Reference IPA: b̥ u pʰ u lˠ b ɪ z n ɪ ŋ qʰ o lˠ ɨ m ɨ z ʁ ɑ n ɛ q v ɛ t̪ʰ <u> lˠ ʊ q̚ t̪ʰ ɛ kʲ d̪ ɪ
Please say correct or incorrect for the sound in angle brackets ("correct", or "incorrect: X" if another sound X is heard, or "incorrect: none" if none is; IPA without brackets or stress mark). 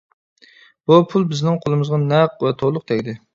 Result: incorrect: o